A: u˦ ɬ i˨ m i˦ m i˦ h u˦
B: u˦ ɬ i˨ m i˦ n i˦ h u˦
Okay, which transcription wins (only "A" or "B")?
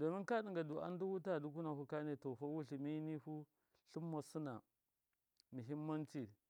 B